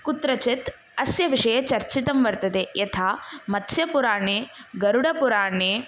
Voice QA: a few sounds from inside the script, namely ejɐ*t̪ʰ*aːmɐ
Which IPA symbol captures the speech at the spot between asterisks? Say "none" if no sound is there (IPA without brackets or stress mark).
t̪ʰ